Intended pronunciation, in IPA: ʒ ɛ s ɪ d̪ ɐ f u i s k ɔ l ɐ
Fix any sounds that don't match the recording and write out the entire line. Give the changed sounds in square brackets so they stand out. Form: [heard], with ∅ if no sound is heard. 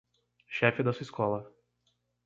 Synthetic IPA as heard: [ʃ] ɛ [f] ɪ d̪ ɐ [s] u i s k ɔ l ɐ

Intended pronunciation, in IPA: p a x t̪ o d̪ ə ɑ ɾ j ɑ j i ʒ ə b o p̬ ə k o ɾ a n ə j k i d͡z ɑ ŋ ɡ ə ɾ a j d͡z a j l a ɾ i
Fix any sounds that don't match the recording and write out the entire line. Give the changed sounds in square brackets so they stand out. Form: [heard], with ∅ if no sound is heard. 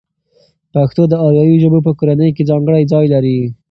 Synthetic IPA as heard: p a x t̪ o d̪ ə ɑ ɾ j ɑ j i ʒ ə b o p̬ ə k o ɾ a n ə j k [e] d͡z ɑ ŋ ɡ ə [ɽ] a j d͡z [ɑ] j l a ɾ i

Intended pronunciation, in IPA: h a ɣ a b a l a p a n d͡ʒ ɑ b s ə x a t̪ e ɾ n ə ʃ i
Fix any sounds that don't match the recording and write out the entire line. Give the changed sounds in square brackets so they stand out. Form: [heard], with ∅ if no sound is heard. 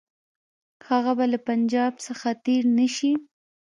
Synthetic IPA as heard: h a ɣ a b a l a p a n d͡ʒ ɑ b s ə x a t̪ e ɾ n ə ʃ i

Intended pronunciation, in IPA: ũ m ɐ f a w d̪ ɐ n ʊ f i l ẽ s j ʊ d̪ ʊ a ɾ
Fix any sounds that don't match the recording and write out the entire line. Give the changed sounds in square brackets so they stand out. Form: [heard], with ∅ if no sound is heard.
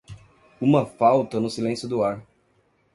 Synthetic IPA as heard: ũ m ɐ f a w [t̪] ɐ n ʊ [s] i l ẽ s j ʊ d̪ ʊ a ɾ

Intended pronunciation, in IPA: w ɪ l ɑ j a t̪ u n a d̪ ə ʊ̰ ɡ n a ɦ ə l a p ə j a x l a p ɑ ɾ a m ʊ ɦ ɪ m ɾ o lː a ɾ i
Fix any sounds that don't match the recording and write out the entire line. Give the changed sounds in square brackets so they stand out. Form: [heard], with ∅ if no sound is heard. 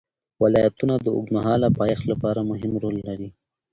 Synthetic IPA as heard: w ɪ l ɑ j a t̪ u n a d̪ ə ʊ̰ ɡ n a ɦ [ɑ] l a p [ɑ] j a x l a p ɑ ɾ a m ʊ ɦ ɪ m ɾ o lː a ɾ i

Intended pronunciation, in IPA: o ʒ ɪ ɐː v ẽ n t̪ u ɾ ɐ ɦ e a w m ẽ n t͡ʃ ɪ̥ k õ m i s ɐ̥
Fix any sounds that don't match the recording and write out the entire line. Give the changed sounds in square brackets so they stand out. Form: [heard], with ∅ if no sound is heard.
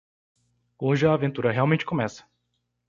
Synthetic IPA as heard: o ʒ ɪ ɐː v ẽ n t̪ u ɾ ɐ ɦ e a w m ẽ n t͡ʃ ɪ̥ k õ m [ɛ] s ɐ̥

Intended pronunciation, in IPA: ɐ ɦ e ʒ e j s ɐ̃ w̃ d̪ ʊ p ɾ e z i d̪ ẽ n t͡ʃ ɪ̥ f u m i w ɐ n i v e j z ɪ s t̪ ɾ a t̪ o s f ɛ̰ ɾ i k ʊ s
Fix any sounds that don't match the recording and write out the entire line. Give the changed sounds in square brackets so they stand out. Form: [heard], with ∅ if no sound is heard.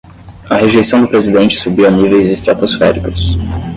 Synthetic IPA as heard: ɐ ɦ e ʒ e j s ɐ̃ w̃ d̪ ʊ p ɾ e z i d̪ ẽ n t͡ʃ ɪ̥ [s] u [b] i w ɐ n i v e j z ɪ s t̪ ɾ a t̪ o s f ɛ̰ ɾ i k ʊ s

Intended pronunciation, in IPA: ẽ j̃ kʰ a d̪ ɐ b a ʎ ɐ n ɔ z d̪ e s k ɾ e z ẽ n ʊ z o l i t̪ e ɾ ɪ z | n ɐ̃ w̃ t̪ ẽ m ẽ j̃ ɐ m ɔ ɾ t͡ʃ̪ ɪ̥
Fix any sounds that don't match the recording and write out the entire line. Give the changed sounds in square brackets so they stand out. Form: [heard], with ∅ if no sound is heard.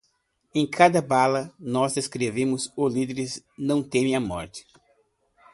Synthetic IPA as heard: ẽ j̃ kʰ a d̪ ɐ b a [l] ɐ n ɔ z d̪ e s k ɾ e [v] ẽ [m] ʊ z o l i [d̪] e ɾ ɪ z | n ɐ̃ w̃ t̪ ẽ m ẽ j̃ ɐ m ɔ ɾ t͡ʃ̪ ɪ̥

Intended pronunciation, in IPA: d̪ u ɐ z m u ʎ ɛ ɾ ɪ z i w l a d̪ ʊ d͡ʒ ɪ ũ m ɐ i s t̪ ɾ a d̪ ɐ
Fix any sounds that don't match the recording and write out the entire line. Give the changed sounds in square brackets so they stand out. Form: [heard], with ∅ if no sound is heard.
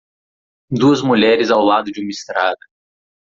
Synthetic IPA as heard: d̪ u ɐ z m u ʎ ɛ ɾ ɪ z [a] w l a d̪ ʊ d͡ʒ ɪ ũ m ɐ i s t̪ ɾ a d̪ ɐ

